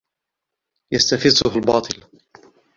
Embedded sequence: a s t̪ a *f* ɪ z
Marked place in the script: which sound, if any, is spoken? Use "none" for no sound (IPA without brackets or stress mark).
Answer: f